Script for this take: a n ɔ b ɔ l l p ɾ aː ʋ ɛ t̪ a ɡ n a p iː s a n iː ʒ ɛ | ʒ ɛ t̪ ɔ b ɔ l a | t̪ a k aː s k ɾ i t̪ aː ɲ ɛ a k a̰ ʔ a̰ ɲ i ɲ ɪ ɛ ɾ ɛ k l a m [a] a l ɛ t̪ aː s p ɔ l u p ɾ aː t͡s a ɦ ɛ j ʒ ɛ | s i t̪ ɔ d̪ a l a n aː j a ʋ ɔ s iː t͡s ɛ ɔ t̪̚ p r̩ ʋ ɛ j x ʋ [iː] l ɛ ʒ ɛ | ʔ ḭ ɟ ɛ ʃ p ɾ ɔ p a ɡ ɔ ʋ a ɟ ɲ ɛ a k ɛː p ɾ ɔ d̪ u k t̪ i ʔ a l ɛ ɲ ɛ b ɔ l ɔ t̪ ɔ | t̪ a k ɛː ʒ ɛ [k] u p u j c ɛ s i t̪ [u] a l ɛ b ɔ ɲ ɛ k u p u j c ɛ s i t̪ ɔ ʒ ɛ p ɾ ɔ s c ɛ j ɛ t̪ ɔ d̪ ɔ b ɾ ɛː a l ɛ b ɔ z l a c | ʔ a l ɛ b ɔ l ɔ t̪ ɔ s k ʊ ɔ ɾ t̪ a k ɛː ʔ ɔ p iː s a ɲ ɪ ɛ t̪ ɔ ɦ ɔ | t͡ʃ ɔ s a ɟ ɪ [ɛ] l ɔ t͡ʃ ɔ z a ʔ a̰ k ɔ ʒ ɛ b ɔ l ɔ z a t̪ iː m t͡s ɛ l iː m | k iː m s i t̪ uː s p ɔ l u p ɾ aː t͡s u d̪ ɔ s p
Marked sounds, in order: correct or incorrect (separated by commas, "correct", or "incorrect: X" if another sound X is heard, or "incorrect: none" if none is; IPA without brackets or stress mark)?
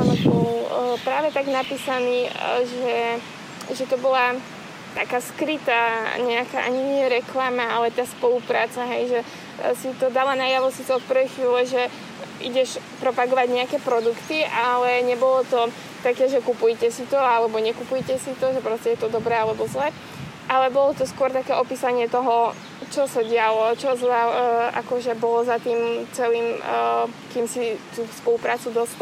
correct, correct, correct, incorrect: ɔ, incorrect: a